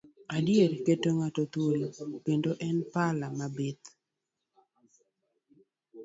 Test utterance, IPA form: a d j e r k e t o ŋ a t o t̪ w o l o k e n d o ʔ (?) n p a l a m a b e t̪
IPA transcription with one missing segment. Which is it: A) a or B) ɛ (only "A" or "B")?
B